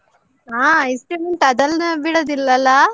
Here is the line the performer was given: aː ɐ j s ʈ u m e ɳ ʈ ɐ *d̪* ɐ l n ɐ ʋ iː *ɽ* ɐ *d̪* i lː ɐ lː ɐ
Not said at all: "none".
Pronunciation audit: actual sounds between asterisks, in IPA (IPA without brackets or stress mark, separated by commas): d̪, ɽ, d̪